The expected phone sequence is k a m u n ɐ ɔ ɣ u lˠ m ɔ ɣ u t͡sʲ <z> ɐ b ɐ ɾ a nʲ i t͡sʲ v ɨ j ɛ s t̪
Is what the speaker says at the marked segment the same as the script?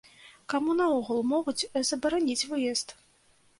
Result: yes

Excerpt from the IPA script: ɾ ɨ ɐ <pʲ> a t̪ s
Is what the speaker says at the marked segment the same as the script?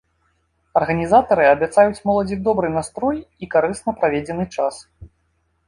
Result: no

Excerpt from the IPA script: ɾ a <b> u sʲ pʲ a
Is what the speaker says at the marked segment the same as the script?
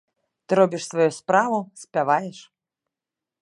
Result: no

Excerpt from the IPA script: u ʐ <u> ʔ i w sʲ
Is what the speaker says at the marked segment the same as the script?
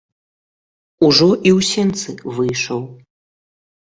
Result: no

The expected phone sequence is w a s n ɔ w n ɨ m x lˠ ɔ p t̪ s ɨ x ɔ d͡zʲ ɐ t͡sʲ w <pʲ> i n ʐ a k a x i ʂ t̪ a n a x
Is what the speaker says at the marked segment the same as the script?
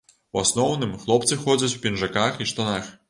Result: yes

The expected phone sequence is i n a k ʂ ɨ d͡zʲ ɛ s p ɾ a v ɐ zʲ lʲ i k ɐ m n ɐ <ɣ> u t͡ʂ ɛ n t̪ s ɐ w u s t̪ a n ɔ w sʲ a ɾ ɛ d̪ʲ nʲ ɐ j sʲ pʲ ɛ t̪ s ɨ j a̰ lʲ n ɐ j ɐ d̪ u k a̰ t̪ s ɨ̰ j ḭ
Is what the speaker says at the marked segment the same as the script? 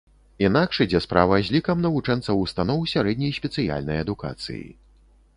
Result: no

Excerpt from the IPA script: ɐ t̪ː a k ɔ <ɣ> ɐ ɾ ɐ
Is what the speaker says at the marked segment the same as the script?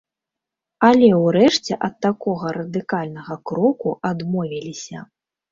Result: yes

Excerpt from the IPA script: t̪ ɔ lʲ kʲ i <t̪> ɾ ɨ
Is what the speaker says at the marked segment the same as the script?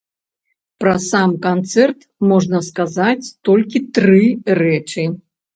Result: yes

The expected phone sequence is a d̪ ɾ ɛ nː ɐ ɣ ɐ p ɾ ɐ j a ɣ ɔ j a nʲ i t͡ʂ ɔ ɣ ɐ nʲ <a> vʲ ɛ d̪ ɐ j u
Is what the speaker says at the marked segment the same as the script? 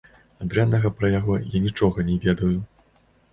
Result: no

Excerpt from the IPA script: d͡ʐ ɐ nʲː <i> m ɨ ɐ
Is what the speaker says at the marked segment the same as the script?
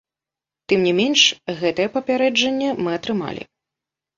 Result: no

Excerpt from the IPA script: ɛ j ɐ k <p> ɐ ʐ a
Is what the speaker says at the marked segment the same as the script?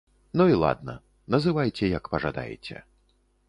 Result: yes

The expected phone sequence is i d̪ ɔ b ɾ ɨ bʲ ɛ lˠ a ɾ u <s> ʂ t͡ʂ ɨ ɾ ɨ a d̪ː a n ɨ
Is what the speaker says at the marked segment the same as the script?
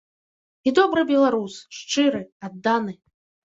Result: yes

